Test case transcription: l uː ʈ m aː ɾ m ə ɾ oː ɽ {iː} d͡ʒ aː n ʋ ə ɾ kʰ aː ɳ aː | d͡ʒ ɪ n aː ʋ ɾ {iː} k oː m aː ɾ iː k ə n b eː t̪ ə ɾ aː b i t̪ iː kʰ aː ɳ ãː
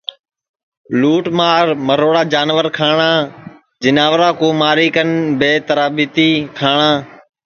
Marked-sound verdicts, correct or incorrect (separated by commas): incorrect, incorrect